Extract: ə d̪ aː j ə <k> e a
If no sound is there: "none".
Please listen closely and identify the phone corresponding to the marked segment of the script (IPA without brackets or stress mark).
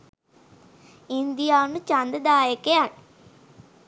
k